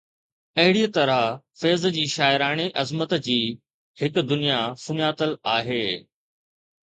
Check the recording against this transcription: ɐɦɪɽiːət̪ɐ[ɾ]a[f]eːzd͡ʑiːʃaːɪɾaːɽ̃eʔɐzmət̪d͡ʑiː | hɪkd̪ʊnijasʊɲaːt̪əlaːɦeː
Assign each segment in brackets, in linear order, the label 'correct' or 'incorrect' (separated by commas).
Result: correct, correct